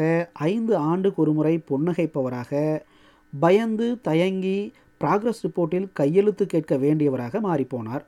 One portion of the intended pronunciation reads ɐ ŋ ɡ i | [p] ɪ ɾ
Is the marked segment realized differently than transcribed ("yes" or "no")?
no